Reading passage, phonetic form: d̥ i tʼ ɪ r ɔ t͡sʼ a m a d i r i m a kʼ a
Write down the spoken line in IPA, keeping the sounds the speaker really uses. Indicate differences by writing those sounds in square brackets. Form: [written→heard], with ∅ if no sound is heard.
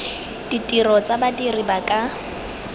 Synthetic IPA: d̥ i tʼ [ɪ→i] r ɔ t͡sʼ a [m→b] a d i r i [m→b] a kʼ a